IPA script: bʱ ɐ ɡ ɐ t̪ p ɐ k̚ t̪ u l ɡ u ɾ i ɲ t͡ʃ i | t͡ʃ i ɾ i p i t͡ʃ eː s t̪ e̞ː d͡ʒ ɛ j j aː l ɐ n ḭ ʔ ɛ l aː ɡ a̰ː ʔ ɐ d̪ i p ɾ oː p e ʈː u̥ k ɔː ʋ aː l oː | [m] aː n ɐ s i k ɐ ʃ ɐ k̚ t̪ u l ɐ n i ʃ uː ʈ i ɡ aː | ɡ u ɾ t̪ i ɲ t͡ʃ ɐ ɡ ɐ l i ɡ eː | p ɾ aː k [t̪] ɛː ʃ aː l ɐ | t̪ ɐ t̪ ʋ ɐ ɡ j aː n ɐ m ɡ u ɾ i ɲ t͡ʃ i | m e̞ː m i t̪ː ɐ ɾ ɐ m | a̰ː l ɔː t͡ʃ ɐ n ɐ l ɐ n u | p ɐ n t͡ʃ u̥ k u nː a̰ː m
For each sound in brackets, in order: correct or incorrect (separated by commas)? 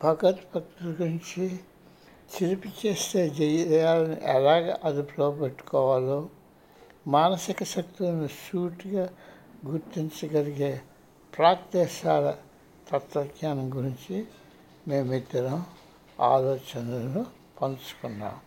correct, correct